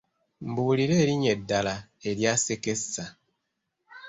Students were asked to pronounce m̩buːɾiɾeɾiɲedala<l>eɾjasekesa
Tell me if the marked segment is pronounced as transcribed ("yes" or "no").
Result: no